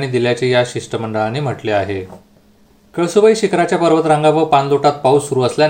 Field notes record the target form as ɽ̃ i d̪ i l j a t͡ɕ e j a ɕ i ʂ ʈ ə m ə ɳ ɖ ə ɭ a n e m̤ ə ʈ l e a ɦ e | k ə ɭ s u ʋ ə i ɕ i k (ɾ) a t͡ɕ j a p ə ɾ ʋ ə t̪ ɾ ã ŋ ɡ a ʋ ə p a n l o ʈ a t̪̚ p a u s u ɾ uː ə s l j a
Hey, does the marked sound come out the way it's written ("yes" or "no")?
yes